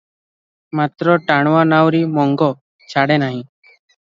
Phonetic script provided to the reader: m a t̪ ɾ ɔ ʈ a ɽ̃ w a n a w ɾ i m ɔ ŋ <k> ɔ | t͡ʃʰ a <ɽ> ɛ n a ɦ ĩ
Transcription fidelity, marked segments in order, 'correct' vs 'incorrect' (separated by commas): incorrect, correct